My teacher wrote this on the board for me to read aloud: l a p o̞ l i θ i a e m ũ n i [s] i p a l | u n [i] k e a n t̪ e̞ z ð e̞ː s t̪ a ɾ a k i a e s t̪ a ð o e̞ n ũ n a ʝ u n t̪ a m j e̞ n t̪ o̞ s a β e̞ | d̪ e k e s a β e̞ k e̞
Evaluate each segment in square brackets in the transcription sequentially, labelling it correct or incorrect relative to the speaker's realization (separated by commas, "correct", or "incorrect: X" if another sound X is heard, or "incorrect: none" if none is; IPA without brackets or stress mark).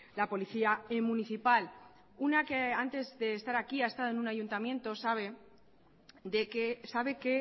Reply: incorrect: θ, incorrect: a